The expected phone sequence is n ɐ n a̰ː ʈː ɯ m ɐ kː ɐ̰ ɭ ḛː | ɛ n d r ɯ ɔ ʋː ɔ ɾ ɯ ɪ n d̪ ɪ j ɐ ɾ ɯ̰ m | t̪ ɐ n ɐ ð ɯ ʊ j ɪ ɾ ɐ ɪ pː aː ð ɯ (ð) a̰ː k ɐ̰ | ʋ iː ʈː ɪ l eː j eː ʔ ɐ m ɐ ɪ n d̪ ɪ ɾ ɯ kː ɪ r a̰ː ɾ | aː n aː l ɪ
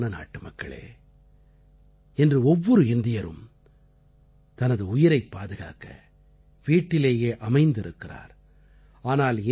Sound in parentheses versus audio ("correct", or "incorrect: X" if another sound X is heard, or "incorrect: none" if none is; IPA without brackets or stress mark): incorrect: ɣ